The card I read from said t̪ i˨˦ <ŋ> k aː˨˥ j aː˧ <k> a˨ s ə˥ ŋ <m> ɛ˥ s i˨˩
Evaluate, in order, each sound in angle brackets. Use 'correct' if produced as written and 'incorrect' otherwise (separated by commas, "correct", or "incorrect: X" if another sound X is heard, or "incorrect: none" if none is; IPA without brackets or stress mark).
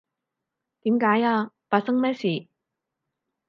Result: incorrect: m, incorrect: p, correct